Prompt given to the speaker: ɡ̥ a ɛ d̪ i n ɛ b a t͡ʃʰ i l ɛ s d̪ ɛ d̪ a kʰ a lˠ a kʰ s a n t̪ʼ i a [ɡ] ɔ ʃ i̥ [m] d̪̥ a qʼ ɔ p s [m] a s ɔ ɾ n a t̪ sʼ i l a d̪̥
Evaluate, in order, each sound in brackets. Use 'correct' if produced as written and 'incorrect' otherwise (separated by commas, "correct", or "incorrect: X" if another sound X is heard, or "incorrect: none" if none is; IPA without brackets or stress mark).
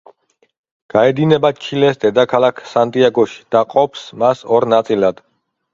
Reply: correct, incorrect: none, correct